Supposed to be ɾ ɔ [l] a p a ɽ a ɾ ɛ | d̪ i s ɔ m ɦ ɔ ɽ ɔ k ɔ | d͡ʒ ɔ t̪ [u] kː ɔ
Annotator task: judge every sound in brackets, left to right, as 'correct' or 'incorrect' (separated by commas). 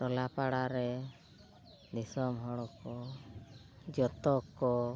correct, incorrect